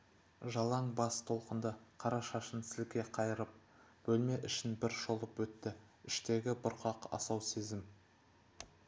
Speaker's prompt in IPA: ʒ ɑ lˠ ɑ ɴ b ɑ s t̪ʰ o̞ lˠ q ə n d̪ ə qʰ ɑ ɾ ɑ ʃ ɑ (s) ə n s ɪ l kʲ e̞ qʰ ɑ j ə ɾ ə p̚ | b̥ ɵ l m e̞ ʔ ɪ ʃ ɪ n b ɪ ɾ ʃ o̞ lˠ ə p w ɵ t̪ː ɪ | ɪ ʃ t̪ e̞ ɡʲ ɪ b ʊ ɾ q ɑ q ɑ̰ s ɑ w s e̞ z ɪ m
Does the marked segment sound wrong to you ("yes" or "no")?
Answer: yes